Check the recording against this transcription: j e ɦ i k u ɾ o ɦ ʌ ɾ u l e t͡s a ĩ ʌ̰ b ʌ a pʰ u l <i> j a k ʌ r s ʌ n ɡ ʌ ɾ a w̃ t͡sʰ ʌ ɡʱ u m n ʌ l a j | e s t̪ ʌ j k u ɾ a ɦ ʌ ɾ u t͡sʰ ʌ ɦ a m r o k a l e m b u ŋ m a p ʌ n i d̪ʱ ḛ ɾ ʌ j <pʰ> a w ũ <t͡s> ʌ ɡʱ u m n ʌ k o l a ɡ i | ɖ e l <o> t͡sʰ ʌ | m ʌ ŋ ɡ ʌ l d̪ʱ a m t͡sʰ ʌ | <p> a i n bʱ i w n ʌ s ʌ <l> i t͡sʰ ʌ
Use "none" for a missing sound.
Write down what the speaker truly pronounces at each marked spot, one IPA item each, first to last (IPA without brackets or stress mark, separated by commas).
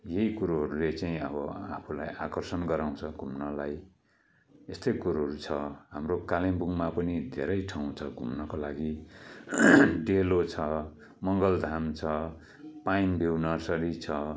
a, ʈʰ, t͡sʰ, o, p, ɾ